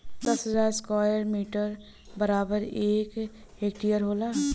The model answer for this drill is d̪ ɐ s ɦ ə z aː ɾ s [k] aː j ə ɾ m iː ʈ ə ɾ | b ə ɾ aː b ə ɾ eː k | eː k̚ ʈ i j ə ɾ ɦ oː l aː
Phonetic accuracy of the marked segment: correct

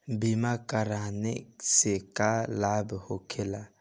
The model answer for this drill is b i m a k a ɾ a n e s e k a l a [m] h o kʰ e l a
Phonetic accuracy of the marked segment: incorrect: b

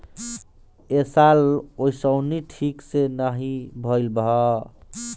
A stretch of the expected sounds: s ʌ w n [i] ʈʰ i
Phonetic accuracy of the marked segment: correct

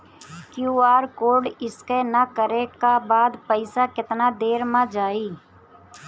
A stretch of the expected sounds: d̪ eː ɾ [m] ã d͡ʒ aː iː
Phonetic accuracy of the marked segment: correct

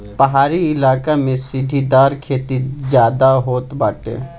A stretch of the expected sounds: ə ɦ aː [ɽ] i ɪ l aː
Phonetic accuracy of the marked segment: incorrect: ɾ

